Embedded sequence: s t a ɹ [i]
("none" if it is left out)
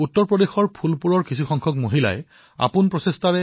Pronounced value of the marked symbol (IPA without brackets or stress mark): ɛ